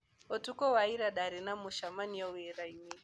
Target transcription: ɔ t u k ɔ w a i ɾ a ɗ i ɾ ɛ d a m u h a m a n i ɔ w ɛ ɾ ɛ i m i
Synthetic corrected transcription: ɔ t u k ɔ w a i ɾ a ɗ a ɾ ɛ n a m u ʃ a m a n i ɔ w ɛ ɾ a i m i